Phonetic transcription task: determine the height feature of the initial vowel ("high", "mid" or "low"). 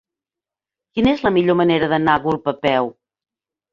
high